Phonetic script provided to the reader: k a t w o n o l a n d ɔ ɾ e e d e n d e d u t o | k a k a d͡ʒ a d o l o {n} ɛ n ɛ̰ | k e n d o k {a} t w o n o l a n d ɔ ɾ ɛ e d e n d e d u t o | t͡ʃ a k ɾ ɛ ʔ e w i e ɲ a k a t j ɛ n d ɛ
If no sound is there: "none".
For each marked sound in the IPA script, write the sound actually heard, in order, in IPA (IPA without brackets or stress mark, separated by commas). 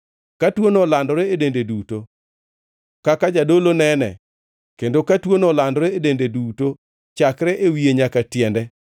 n, a